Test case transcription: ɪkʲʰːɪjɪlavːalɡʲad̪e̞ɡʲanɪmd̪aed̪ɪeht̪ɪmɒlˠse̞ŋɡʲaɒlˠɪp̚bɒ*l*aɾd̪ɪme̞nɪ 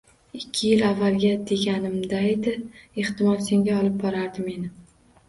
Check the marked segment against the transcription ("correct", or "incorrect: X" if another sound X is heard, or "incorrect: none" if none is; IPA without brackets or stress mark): incorrect: ɾ